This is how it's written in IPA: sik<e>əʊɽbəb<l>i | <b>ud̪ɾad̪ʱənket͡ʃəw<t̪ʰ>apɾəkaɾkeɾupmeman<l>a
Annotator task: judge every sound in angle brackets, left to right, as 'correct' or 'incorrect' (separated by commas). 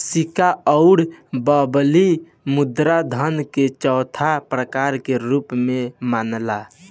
incorrect, correct, incorrect, correct, correct